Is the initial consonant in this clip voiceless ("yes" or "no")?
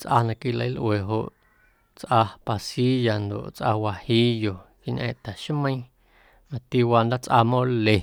yes